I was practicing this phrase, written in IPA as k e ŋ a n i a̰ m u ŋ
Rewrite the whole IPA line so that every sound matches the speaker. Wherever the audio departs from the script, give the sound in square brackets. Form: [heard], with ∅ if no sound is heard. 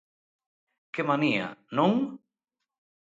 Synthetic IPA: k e [m] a n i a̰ [n] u ŋ